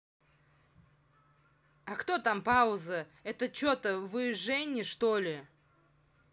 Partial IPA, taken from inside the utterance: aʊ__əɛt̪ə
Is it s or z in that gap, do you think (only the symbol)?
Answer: z